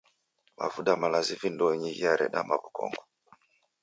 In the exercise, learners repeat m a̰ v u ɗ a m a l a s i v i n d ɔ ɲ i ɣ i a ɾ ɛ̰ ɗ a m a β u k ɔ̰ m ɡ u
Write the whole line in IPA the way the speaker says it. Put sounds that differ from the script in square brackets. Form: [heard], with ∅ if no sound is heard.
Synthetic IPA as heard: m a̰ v u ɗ a m a l a [z] i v i n d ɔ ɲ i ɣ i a ɾ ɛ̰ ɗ a m a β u k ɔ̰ [ŋ] ɡ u